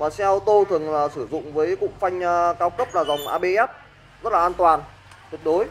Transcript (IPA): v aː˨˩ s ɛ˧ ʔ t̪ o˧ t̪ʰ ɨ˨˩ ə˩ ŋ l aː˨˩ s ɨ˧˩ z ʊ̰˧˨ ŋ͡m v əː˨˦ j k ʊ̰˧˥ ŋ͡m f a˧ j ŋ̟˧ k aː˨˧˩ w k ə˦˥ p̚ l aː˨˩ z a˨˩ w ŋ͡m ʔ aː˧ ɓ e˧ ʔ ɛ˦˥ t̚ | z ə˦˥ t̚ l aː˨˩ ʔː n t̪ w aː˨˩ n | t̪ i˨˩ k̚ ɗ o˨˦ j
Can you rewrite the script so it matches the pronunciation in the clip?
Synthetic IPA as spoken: v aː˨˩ s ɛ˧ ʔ t̪ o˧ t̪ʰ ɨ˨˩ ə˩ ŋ l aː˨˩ s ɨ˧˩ z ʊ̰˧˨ ŋ͡m v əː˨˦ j k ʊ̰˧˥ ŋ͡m f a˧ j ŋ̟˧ k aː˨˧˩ w k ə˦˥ p̚ l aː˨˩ z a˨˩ w ŋ͡m ʔ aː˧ ɓ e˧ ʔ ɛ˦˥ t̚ | z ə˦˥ t̚ l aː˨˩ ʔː n t̪ w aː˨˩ n | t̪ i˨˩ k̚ ɗ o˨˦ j